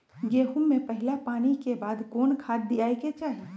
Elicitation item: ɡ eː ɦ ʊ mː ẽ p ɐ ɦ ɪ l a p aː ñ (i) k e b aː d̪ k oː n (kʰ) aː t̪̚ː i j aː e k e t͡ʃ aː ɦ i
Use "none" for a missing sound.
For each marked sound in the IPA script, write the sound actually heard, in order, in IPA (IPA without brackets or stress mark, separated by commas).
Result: i, kʰ